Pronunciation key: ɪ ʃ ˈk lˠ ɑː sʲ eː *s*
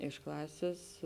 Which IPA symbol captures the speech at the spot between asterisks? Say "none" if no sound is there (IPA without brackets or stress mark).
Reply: s